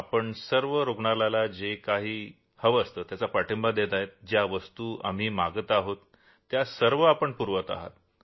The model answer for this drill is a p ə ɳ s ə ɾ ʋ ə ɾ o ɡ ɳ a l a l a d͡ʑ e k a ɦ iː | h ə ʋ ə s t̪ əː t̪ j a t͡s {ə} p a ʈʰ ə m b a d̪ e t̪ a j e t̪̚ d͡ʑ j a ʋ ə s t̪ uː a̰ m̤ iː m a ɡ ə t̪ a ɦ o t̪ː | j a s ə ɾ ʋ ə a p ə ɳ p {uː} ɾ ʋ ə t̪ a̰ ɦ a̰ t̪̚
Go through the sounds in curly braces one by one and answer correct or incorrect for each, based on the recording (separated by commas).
incorrect, incorrect